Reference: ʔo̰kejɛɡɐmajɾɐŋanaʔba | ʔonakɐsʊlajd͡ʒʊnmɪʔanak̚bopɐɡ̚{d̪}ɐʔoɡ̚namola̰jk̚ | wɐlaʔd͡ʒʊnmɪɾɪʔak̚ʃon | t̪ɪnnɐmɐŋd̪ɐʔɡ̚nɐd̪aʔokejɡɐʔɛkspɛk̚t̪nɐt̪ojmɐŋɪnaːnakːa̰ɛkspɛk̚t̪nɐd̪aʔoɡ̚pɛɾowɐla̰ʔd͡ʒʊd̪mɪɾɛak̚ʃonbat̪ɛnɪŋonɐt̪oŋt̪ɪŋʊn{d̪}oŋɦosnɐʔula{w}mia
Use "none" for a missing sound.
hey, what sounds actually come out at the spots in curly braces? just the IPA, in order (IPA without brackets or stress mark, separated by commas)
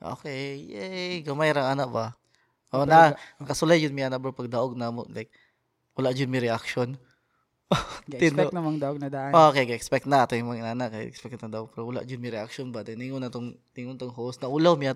d̪, t̪, w